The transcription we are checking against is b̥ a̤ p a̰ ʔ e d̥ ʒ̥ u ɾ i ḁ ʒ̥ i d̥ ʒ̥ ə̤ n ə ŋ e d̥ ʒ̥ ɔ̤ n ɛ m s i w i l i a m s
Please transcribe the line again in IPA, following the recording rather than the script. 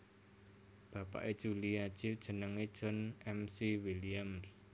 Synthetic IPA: b̥ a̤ p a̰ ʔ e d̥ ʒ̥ u l i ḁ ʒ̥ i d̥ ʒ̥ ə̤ n ə ŋ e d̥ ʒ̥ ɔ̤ n ɛ m s i w i l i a m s